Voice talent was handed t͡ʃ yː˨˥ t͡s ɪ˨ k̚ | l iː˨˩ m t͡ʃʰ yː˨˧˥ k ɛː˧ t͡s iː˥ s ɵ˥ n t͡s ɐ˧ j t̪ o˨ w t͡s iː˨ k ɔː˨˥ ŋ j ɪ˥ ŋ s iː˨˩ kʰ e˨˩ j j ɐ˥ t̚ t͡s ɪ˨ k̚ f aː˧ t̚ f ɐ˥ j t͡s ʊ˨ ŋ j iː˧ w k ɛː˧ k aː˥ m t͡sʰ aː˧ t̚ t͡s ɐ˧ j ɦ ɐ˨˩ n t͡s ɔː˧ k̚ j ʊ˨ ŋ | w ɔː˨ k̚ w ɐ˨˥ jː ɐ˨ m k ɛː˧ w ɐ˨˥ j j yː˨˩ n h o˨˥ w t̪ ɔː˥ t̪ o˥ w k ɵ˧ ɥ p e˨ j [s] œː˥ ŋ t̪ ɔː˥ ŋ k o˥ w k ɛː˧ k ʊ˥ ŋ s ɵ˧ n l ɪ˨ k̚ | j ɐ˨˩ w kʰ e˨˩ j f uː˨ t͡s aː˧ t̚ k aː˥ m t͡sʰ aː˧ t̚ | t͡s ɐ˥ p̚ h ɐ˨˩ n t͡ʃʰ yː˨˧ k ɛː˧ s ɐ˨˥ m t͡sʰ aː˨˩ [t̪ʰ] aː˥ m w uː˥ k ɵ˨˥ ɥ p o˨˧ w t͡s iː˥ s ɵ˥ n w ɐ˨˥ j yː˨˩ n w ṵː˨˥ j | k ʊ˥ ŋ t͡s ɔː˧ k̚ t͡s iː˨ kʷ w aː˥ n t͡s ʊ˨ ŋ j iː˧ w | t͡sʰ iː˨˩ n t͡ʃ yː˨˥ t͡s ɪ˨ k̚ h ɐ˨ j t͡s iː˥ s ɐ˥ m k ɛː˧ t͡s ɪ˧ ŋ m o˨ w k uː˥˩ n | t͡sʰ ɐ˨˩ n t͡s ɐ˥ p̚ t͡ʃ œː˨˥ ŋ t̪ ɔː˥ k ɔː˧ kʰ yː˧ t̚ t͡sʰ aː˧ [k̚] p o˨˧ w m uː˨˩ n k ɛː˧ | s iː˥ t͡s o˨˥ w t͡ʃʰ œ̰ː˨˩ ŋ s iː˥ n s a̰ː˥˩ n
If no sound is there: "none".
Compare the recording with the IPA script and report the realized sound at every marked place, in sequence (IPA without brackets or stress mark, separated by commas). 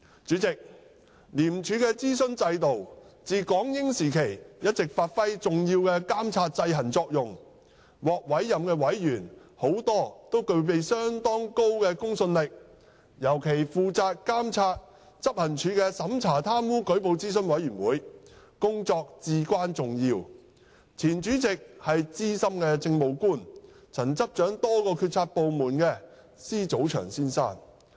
s, t̪ʰ, t̚